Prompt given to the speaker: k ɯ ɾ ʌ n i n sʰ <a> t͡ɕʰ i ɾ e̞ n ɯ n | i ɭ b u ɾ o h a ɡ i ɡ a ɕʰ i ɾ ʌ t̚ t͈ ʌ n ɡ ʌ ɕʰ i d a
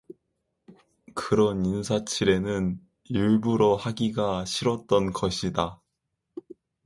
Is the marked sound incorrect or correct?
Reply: correct